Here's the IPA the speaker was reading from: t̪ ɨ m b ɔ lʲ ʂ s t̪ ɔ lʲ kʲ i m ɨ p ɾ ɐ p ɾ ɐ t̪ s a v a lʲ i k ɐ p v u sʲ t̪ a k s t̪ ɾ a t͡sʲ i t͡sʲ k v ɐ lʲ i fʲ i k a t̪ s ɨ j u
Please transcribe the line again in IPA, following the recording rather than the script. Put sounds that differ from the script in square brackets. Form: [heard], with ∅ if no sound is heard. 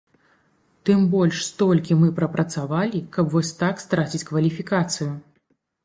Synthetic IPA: t̪ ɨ m b ɔ lʲ ʂ s t̪ ɔ lʲ kʲ i m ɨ p ɾ ɐ p ɾ ɐ t̪ s a v a lʲ i k ɐ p v [ɔ] sʲ t̪ a k s t̪ ɾ a t͡sʲ i t͡sʲ k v ɐ lʲ i fʲ i k a t̪ s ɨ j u